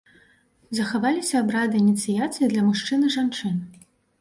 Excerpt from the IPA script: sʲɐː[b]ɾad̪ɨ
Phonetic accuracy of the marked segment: correct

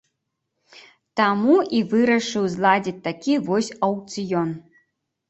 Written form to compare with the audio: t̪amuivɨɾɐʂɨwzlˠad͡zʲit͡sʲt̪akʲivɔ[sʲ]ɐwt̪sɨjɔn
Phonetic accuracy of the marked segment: correct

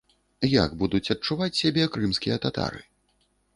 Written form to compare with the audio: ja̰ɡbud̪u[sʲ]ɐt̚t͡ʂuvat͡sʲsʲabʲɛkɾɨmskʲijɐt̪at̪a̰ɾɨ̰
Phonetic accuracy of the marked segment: incorrect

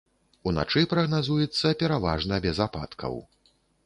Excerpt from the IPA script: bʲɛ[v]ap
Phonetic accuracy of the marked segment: incorrect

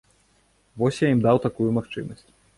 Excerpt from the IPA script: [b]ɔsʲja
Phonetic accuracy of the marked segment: incorrect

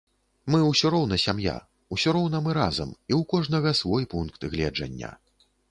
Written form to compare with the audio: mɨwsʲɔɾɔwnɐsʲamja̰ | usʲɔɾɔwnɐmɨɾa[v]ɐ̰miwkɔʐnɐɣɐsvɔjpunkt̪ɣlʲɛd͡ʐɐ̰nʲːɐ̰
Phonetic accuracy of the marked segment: incorrect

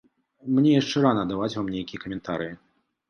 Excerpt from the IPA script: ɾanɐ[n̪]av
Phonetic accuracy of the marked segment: incorrect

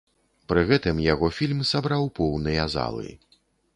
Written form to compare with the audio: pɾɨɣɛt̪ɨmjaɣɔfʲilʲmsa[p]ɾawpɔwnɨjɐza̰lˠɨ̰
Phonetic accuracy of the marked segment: incorrect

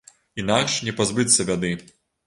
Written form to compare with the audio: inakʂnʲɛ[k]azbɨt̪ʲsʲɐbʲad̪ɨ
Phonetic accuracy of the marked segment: incorrect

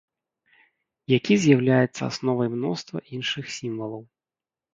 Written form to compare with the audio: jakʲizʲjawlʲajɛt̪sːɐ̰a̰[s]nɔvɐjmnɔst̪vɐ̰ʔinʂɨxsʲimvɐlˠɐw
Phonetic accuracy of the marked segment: correct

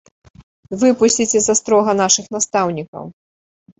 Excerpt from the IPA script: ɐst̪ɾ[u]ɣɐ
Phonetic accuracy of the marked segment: incorrect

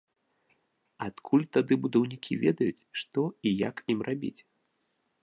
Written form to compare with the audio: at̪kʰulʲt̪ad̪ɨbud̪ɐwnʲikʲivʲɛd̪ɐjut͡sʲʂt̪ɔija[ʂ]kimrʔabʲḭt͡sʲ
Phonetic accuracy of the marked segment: incorrect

